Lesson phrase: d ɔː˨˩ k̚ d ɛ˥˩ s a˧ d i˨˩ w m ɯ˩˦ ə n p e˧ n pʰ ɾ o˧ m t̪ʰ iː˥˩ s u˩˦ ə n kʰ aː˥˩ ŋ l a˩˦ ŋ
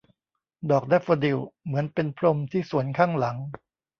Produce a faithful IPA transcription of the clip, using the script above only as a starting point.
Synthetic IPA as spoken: d ɔː˨˩ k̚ d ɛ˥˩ f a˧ d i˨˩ w m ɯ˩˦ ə n p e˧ n pʰ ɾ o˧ m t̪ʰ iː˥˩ s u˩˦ ə n kʰ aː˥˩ ŋ l a˩˦ ŋ